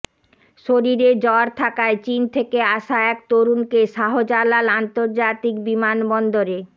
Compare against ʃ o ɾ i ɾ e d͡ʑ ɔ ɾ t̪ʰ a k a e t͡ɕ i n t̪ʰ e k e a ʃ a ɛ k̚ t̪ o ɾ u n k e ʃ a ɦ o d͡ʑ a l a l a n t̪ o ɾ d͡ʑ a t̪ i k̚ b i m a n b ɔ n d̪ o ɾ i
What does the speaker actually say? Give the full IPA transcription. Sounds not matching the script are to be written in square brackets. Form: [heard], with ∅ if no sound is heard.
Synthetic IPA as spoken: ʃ o ɾ i ɾ e d͡ʑ ɔ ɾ t̪ʰ a k a e t͡ɕ i n t̪ʰ e k e a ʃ a ɛ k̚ t̪ o ɾ u n k e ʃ a ɦ o d͡ʑ a l a l a n t̪ o ɾ d͡ʑ a t̪ i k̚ b i m a n b ɔ n d̪ o ɾ [e]